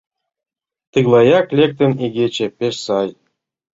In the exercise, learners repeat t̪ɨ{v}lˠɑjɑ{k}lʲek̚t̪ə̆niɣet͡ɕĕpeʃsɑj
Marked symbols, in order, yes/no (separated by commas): no, yes